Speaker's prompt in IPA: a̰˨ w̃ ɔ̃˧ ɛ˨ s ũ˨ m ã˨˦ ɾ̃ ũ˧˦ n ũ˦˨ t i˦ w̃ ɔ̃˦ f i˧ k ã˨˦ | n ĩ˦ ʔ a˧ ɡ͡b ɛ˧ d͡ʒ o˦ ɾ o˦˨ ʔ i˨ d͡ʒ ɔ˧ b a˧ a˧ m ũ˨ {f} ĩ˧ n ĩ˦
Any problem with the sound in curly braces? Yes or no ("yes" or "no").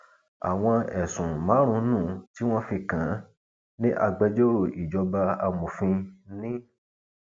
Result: no